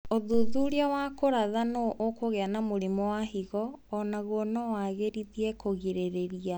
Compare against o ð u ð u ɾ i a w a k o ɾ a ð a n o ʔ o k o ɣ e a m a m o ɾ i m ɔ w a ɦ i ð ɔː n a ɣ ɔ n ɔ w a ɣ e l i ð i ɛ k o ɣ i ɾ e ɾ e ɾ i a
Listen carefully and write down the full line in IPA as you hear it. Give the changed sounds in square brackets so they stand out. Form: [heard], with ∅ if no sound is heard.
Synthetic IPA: o ð u ð u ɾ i a w a k o ɾ a ð a n o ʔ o k o ɣ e a [n] a m o ɾ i m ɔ w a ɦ i [ɣ] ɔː n a ɣ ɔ n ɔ w a ɣ e [ɾ] i ð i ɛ k o ɣ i ɾ e ɾ e ɾ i a